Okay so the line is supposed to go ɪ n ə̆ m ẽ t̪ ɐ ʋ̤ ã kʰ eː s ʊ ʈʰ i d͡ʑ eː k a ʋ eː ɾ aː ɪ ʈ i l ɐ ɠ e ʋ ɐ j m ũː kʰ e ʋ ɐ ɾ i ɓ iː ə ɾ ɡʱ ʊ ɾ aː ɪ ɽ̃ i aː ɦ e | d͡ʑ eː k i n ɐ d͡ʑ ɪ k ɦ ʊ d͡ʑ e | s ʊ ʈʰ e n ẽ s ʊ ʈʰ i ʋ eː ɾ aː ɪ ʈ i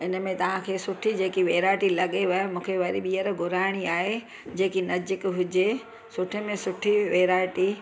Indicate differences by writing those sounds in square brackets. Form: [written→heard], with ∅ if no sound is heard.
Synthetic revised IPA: ɪ n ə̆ m ẽ t̪ ɐ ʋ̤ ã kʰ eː s ʊ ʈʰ i d͡ʑ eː k [a→i] ʋ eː ɾ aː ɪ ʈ i l ɐ ɠ e ʋ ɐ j m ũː kʰ e ʋ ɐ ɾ i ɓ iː ə ɾ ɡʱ ʊ ɾ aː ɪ ɽ̃ i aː ɦ e | d͡ʑ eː k i n ɐ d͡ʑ ɪ k ɦ ʊ d͡ʑ e | s ʊ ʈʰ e [n→m] ẽ s ʊ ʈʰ i ʋ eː ɾ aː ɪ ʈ i